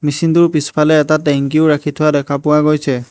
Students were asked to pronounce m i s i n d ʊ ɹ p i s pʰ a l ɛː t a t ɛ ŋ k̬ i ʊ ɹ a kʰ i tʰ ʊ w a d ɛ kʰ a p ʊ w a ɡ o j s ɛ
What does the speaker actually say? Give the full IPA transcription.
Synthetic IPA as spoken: m i s i n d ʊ ɹ p i s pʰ a l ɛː t a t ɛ ŋ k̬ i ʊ ɹ a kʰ i tʰ ʊ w a d ɛ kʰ a p ʊ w a ɡ o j s ɛ